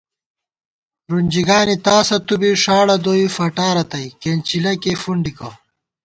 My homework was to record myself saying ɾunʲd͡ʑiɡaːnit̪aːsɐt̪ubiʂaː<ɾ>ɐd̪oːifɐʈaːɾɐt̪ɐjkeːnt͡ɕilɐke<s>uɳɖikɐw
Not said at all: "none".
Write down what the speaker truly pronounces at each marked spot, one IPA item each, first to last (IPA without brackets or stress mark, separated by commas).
ɽ, f